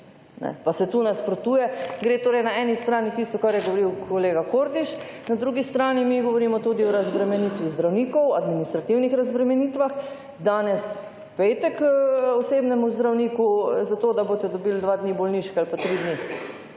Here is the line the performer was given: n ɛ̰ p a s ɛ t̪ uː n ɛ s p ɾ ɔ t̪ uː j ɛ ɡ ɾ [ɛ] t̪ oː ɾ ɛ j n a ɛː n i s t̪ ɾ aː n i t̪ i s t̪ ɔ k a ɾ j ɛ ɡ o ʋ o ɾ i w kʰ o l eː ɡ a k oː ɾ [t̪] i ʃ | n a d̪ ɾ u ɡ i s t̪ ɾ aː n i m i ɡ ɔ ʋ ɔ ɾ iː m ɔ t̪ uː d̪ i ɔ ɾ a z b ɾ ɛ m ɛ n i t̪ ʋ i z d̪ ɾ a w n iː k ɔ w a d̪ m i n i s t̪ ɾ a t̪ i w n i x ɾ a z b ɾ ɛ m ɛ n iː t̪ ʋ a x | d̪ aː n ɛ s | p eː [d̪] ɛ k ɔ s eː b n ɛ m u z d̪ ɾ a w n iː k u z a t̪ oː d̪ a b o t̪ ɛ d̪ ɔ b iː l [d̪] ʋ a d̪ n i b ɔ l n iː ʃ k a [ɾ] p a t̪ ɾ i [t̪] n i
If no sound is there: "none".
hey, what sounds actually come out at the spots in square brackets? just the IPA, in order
e, d̪, t̪, d̪, l, d̪

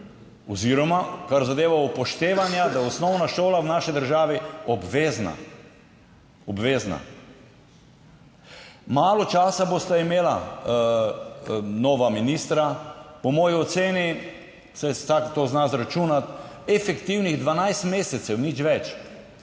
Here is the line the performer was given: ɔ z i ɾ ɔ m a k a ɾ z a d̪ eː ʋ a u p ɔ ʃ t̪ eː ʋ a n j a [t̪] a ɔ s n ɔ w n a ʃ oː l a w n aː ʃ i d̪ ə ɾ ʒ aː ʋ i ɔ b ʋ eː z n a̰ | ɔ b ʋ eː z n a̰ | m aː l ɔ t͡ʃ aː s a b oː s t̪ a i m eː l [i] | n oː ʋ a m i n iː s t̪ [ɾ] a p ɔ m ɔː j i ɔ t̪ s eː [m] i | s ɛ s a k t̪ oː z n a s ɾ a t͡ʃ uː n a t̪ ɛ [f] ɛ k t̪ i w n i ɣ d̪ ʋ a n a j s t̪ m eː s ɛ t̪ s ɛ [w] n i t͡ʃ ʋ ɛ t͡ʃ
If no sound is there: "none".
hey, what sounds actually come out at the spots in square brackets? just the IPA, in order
d̪, a, ɾ, n, f, w

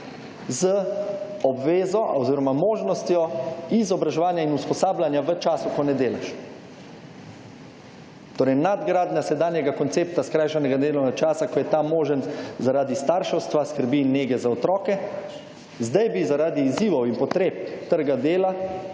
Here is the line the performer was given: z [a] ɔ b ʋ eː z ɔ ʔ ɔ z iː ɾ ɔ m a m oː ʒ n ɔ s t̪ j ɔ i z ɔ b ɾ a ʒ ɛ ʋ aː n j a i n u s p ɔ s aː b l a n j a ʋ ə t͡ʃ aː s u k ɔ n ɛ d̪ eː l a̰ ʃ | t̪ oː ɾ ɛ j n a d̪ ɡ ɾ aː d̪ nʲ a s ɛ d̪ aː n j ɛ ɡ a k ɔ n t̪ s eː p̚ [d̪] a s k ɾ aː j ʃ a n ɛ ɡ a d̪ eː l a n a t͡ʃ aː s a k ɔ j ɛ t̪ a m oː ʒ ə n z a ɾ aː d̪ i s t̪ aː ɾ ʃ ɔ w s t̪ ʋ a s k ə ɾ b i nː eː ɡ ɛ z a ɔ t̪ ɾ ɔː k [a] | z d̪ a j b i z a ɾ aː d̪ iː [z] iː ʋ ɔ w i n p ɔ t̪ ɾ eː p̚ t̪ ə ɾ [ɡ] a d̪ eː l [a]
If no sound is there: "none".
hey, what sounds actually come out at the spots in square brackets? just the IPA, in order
ə, t̪, ɛ, z, ɡ, a

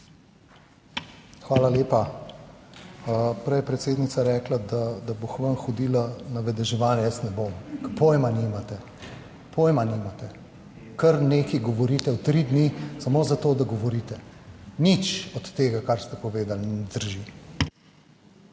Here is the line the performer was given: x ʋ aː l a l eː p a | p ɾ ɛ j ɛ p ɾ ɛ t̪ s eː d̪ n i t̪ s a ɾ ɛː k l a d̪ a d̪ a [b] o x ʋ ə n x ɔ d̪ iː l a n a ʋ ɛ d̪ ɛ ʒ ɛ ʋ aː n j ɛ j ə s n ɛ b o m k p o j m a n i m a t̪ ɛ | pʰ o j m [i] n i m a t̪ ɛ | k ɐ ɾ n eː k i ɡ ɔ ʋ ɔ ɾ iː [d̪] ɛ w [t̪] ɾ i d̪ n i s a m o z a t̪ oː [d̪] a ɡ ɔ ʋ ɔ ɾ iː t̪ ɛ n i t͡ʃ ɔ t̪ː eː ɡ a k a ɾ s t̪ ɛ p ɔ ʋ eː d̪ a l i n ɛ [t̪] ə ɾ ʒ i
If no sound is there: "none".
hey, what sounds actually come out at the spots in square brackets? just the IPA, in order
b, a, t̪, t̪, d̪, d̪

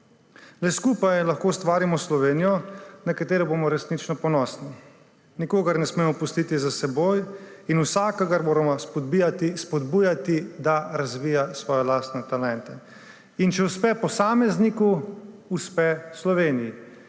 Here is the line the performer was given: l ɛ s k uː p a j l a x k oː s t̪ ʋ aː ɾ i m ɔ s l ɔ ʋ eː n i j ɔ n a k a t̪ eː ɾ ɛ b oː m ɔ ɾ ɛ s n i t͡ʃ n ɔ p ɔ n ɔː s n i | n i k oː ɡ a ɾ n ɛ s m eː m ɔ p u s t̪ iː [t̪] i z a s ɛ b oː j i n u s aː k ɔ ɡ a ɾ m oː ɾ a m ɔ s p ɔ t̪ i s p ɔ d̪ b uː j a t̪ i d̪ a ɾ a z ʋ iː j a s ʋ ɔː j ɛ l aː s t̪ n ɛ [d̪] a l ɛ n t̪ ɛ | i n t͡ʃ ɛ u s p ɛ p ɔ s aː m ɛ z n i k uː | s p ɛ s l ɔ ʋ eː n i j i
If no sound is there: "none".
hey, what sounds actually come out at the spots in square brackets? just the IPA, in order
t̪, t̪

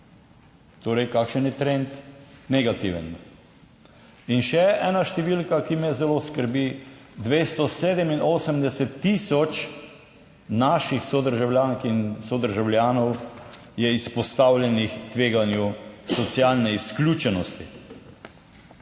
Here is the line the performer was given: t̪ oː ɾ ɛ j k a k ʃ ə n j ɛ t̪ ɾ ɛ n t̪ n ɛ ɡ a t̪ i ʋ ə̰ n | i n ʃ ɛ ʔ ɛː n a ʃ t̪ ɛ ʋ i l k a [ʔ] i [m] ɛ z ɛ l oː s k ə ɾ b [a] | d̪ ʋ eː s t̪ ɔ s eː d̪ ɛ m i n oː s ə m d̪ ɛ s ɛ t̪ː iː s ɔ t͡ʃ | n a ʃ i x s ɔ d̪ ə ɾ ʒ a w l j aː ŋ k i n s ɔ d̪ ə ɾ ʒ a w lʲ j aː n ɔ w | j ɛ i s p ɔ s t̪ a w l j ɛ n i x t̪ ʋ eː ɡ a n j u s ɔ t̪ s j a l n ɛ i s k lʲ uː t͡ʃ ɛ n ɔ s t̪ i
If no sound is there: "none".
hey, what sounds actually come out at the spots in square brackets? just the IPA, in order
k, m, i

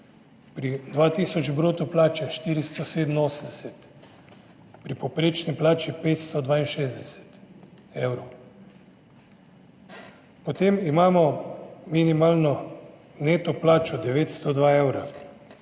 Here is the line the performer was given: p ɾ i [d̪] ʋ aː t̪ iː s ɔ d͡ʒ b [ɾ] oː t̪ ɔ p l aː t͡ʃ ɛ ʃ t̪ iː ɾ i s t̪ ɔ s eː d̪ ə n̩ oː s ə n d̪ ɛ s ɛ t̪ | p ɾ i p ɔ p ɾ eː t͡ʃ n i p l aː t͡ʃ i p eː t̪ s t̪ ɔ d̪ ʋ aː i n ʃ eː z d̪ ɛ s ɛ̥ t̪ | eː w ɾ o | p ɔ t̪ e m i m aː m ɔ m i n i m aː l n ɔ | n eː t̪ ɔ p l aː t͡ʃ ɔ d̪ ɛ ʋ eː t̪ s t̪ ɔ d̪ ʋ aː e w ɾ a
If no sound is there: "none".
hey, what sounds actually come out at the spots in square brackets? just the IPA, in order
d̪, ɾ

